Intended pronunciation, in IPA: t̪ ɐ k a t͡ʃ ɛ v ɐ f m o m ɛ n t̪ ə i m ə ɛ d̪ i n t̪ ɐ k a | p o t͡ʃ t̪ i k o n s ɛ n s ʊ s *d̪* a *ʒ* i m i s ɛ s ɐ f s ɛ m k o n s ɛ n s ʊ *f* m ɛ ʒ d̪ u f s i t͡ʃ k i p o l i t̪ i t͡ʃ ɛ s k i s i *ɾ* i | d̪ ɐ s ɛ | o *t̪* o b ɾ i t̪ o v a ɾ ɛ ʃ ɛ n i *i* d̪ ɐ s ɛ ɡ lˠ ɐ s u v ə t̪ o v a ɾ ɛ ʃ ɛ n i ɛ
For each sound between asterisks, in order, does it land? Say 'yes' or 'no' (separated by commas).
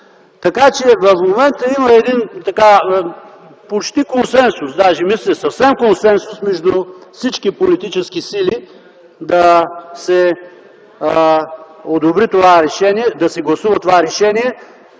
yes, yes, no, no, no, no